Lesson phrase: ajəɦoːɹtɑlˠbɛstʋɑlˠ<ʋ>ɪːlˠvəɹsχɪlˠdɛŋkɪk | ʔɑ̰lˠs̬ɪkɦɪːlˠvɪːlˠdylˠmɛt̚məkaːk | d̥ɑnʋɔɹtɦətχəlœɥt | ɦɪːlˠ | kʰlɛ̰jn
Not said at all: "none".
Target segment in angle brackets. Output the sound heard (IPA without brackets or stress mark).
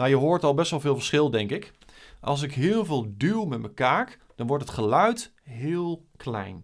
v